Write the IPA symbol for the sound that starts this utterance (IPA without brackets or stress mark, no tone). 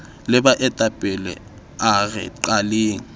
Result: l